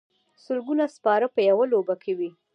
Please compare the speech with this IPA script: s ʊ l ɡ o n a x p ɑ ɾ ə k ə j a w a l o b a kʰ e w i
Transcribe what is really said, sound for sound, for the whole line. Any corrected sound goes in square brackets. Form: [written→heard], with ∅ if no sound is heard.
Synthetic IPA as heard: s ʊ l ɡ [o→u] n a [x→s] p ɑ ɾ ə [k→p] ə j a w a l o b a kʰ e w i